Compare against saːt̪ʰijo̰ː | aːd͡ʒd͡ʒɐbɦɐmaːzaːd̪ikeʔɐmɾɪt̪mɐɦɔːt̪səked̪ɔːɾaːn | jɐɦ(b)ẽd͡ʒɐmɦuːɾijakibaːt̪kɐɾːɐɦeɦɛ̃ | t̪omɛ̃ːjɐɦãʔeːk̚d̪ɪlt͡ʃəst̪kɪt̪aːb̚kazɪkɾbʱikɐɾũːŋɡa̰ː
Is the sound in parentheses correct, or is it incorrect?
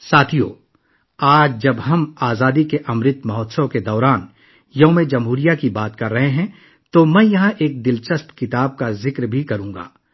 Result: incorrect